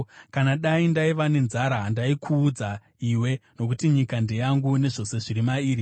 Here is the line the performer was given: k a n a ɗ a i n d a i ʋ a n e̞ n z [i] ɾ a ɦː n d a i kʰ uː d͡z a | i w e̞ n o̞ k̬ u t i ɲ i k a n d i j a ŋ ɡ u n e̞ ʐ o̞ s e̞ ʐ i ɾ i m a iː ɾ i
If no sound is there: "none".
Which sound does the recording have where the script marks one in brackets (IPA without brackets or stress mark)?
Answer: a